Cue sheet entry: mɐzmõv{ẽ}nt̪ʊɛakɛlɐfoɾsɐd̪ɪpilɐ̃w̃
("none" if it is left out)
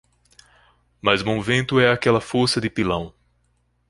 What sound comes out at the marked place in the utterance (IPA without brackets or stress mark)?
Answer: ẽ